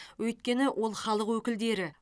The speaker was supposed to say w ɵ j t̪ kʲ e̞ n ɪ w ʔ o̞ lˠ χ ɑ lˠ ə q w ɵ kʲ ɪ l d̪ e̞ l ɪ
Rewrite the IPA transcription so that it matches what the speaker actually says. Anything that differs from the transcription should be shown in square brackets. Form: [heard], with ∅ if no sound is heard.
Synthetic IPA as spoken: w ɵ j t̪ kʲ e̞ n ɪ w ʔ o̞ lˠ χ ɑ lˠ ə q w ɵ kʲ ɪ l d̪ e̞ [ɾ] ɪ